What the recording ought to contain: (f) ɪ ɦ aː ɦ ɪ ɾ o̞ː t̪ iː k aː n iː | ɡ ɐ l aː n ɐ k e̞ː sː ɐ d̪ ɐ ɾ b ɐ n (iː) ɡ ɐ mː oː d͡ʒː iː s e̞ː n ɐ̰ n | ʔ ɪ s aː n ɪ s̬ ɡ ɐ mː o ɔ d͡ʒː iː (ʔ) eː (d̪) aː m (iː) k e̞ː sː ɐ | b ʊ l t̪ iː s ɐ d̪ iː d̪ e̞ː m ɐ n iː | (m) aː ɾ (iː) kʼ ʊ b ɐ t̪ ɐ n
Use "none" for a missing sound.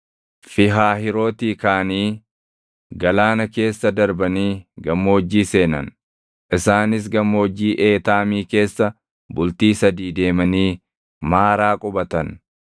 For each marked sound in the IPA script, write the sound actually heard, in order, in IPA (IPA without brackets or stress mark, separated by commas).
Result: f, iː, ʔ, t̪, iː, m, aː